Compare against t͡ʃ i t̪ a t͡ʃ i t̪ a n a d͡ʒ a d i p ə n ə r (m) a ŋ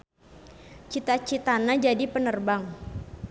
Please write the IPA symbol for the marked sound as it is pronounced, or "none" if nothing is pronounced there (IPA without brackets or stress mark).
b